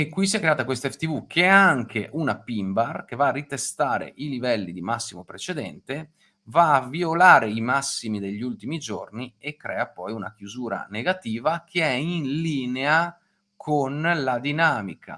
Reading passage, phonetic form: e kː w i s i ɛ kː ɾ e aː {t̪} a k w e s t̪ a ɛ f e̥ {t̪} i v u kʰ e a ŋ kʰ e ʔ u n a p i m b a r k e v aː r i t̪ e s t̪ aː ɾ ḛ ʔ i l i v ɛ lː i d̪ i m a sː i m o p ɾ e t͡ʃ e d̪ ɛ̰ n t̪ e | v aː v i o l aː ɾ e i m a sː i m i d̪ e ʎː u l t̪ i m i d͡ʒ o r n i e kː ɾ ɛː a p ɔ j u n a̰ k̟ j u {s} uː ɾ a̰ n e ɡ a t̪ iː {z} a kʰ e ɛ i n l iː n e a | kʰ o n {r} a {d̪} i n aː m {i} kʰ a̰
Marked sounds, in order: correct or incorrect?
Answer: correct, correct, incorrect, incorrect, incorrect, correct, correct

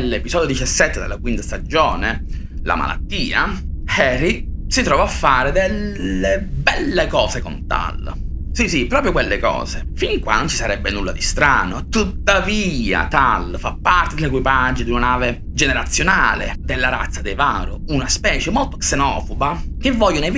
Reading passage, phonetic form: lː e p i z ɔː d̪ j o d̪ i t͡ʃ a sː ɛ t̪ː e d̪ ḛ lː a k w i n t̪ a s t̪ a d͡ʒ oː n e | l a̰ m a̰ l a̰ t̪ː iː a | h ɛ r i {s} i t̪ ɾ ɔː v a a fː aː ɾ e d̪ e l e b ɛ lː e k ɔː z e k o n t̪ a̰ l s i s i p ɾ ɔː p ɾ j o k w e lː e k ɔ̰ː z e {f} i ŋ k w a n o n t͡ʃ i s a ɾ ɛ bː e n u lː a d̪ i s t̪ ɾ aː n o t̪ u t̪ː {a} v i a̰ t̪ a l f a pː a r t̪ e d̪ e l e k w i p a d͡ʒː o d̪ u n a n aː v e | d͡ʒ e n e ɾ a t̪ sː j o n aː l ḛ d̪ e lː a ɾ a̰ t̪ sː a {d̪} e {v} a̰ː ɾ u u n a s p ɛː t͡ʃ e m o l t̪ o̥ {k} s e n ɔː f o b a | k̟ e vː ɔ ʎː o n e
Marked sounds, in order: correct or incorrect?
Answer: correct, correct, correct, correct, correct, correct

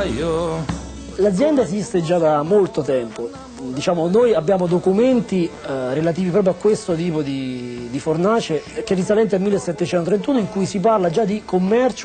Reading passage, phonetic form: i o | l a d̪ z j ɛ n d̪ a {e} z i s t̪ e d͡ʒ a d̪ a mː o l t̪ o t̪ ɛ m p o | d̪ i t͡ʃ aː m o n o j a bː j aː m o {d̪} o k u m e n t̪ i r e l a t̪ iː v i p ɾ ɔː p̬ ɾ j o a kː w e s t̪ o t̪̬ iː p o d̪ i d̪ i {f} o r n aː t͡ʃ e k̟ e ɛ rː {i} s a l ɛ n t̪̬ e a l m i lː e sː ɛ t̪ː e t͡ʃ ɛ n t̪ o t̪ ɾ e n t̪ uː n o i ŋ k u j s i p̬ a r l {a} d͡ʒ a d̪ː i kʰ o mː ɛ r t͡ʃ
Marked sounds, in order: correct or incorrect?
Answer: correct, correct, correct, correct, correct

